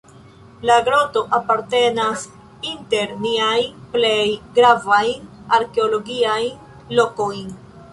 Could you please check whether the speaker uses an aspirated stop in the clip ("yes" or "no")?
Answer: no